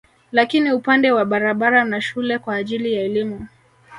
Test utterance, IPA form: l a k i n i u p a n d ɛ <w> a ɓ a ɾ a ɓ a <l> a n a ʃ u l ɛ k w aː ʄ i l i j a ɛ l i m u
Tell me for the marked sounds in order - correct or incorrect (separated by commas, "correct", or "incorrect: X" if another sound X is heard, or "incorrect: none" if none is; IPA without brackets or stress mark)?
correct, incorrect: ɾ